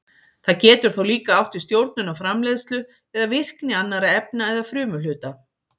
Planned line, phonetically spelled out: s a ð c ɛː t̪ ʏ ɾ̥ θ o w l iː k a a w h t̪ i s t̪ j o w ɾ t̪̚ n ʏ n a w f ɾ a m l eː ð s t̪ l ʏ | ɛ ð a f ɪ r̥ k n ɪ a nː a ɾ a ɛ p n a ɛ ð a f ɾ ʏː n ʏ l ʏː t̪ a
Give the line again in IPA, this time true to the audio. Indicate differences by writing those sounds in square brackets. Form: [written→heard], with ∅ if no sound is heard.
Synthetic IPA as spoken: [s→θ] a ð c ɛː t̪ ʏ ɾ̥ θ o w l iː k a a w h t̪ i s t̪ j o w ɾ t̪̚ n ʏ n a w f ɾ a m l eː ð s t̪ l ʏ | ɛ ð a [f→v] ɪ r̥ k n ɪ a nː a ɾ a ɛ p n a ɛ ð a f ɾ ʏː [n→m] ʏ l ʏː t̪ a